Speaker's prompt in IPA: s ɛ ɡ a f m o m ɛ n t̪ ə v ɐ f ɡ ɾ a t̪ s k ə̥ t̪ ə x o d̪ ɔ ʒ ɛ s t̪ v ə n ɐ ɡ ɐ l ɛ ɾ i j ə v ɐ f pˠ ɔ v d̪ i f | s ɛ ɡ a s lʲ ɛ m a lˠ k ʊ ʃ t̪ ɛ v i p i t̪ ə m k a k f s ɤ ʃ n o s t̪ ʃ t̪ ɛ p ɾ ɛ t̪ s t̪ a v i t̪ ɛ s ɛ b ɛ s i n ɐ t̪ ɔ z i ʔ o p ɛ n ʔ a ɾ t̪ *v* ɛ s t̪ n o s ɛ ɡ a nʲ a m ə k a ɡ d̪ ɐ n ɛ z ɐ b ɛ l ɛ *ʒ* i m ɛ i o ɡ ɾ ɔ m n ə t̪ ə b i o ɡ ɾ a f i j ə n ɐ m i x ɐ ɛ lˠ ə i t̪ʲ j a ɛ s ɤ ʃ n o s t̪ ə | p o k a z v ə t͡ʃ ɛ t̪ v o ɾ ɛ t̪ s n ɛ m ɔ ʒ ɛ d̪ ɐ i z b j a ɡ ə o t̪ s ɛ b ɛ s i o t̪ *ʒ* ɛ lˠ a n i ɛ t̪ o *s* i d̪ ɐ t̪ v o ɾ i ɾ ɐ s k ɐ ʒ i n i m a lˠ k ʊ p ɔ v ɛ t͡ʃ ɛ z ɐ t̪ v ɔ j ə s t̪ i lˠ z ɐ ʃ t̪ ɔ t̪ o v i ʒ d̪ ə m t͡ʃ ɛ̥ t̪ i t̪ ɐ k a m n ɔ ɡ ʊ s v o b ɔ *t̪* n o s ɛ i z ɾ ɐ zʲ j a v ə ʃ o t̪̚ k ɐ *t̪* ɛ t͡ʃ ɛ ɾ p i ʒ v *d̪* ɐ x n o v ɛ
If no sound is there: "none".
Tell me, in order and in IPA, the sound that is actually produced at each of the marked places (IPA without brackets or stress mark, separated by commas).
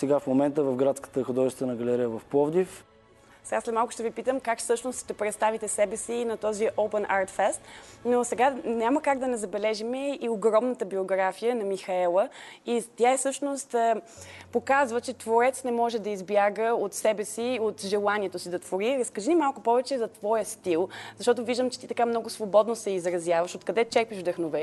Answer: f, ʒ, ʒ, s, d̪, d̪, d̪